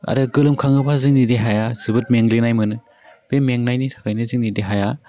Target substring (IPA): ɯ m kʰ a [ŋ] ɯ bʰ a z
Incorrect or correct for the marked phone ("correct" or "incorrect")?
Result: correct